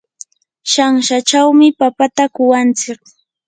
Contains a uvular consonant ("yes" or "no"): no